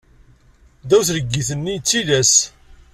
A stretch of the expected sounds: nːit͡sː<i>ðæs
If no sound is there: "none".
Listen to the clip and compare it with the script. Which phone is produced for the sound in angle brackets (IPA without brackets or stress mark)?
i